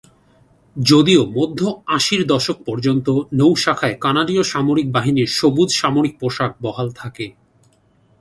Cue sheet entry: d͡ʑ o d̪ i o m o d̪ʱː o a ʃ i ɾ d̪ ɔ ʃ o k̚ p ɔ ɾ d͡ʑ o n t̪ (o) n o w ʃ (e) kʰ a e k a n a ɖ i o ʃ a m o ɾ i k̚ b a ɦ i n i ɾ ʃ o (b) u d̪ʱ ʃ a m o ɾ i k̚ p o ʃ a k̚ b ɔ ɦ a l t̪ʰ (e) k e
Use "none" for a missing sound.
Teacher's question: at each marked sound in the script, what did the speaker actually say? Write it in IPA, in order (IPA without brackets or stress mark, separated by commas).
o, a, b, a